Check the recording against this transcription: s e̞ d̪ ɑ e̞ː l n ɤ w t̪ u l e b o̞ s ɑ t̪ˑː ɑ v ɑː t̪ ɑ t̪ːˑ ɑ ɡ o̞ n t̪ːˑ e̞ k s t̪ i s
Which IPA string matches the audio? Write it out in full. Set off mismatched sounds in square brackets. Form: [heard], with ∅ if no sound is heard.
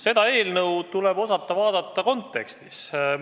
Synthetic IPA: s e̞ d̪ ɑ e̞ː l n ɤ w t̪ u l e b o̞ s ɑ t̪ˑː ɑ v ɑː [d̪] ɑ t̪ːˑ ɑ [k] o̞ n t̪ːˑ e̞ k s t̪ i s